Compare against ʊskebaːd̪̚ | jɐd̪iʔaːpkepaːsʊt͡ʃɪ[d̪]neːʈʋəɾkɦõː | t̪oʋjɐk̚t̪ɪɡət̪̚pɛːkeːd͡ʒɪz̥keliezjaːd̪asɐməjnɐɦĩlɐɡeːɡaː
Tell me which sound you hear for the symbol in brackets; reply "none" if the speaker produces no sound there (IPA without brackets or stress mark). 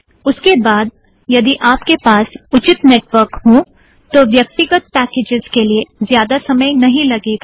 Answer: t̪